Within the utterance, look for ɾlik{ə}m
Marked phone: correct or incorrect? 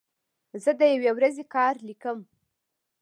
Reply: correct